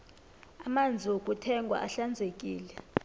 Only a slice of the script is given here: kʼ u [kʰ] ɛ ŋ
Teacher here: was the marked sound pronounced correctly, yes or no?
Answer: no